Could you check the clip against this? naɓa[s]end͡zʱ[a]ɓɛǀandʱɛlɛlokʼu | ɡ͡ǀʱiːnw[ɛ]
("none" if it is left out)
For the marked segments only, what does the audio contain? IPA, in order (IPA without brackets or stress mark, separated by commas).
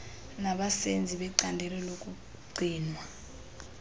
s, i, a